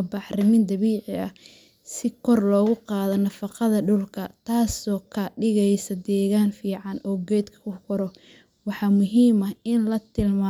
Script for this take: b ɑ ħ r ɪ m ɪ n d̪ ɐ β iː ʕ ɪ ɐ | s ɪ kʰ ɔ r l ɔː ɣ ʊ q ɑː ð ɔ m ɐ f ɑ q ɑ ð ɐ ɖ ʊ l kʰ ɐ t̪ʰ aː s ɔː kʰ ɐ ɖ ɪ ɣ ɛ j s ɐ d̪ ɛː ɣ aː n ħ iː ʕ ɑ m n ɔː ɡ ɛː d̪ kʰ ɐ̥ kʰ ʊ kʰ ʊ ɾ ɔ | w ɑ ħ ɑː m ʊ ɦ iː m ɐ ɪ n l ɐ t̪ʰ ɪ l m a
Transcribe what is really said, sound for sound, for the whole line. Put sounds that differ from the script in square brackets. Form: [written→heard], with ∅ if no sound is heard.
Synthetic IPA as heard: b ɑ ħ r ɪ m ɪ n d̪ ɐ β iː ʕ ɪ ɐ | s ɪ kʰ ɔ r l ɔː ɣ ʊ q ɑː ð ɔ [m→n] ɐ f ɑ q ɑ ð ɐ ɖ ʊ l kʰ ɐ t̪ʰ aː s ɔː kʰ ɐ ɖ ɪ ɣ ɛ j s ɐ d̪ ɛː ɣ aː n [ħ→f] iː ʕ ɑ [m→∅] n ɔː ɡ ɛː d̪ kʰ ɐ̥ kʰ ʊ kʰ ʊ ɾ ɔ | w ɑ ħ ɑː m ʊ ɦ iː m ɐ ɪ n l ɐ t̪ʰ ɪ l m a